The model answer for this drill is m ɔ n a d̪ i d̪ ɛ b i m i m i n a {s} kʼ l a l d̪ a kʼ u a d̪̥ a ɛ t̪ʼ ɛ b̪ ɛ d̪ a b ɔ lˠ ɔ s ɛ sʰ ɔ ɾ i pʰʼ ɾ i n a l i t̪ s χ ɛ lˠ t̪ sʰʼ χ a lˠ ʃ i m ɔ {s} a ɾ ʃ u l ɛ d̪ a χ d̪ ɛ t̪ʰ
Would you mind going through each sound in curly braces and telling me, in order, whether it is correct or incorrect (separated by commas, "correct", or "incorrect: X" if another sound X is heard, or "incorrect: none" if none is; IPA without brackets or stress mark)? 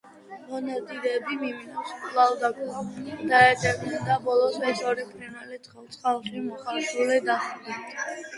correct, incorrect: χ